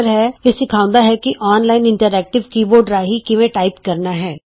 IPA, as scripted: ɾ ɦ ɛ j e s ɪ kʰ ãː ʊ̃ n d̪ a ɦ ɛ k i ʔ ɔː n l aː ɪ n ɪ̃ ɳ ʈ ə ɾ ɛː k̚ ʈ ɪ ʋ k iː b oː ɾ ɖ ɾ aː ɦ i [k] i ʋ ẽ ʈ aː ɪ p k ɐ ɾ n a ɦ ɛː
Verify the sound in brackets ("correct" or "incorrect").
correct